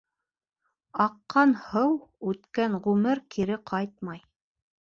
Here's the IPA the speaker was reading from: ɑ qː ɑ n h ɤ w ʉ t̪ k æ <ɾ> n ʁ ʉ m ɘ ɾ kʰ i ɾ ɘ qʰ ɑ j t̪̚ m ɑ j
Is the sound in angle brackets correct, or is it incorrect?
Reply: incorrect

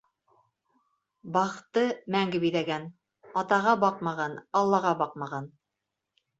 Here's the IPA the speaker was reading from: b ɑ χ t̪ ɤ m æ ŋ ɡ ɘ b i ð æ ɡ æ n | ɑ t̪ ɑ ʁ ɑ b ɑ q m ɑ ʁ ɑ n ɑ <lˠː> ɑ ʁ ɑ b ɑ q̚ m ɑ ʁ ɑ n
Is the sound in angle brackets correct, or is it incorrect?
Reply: correct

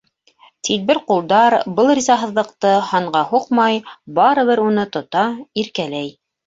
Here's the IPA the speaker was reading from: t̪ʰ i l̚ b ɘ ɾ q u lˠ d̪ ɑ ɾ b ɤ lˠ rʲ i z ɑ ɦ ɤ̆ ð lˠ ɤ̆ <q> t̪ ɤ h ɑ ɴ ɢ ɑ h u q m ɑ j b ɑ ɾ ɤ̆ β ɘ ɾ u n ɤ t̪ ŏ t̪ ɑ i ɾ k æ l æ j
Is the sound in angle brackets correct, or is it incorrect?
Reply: correct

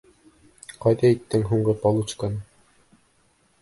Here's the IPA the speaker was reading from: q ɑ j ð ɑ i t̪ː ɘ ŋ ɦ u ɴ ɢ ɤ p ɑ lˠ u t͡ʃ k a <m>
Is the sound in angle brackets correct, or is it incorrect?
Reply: incorrect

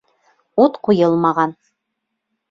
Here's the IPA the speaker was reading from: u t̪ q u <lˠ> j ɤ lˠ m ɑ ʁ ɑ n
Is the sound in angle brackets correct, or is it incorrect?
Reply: incorrect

